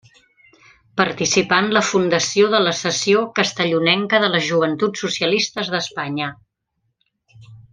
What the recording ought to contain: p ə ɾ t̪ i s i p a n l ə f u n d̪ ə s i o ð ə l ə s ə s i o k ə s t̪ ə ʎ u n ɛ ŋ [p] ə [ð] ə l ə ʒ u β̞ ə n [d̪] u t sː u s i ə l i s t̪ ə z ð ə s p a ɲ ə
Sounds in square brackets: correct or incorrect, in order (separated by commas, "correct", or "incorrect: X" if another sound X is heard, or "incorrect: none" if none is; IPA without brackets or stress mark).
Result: incorrect: k, correct, incorrect: t̪